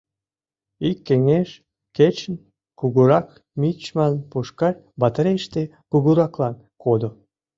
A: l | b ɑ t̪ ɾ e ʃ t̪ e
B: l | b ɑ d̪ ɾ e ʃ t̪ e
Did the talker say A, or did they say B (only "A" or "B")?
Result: A